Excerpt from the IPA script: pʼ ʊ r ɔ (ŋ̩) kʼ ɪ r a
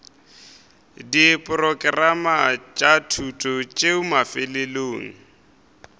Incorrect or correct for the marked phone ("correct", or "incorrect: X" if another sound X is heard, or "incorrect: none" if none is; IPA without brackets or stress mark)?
incorrect: none